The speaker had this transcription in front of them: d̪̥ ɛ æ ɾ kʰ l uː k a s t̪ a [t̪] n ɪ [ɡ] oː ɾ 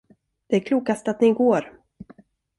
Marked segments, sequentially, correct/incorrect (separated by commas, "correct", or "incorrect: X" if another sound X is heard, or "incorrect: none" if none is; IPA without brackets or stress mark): correct, correct